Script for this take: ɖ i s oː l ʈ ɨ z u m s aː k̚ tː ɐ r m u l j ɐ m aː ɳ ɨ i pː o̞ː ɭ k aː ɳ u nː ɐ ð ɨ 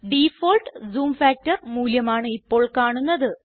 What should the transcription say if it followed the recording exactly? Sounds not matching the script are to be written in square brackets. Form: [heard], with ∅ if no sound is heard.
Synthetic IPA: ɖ i [f] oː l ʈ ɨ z [uː] m [f] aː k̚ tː ɐ r m [uː] l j ɐ m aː ɳ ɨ i pː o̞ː ɭ k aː ɳ u nː ɐ ð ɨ